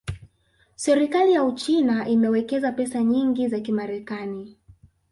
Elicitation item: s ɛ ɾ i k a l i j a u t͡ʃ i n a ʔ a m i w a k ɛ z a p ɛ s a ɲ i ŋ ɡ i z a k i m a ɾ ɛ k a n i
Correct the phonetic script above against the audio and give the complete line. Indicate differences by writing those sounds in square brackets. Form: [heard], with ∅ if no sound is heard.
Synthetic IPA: s ɛ ɾ i k a l i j a u t͡ʃ i n a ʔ [i] m [ɛ] w [ɛ] k ɛ z a p ɛ s a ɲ i ŋ ɡ i z a k i m a ɾ ɛ k a n i